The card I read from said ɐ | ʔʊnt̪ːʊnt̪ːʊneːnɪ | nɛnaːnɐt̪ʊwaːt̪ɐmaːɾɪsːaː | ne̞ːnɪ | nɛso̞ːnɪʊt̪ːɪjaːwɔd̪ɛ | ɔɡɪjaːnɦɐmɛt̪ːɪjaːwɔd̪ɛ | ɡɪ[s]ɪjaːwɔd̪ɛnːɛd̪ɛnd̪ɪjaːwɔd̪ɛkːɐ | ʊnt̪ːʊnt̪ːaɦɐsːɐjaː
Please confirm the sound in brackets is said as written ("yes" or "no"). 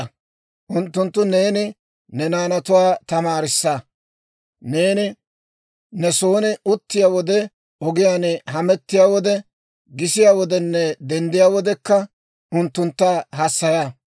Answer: yes